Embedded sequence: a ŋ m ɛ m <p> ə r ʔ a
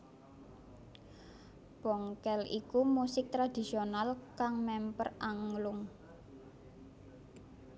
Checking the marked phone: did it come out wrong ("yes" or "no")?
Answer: no